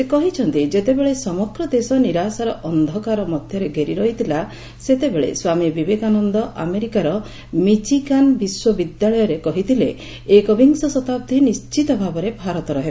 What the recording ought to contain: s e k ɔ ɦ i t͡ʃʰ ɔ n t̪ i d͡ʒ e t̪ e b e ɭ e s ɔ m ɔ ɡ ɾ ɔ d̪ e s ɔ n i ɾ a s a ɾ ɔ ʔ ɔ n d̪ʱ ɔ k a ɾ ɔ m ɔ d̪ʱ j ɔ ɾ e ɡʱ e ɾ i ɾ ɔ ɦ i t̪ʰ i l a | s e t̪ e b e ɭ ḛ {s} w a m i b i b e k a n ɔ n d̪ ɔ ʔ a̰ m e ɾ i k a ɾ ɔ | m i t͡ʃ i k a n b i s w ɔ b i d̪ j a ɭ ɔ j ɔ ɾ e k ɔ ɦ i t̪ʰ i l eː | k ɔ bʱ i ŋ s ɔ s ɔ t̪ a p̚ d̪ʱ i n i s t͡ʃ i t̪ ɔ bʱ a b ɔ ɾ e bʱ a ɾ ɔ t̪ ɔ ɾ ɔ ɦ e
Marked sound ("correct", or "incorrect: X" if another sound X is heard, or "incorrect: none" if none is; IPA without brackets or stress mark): correct